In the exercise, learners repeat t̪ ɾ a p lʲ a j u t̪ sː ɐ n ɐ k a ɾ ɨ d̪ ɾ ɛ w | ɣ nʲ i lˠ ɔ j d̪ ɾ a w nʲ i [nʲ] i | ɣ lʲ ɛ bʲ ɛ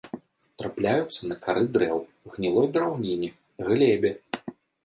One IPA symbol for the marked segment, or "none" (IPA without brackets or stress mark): nʲ